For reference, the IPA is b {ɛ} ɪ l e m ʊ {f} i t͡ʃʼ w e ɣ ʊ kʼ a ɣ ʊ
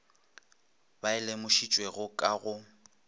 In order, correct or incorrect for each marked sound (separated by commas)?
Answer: incorrect, incorrect